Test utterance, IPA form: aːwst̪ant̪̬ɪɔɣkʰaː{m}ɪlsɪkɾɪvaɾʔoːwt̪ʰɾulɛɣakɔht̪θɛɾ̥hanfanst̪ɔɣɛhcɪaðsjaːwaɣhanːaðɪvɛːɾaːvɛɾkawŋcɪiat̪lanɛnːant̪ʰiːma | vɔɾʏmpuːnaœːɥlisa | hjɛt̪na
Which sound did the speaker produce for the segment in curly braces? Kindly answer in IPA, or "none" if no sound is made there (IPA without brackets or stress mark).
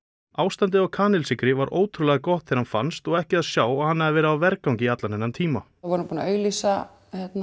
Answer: n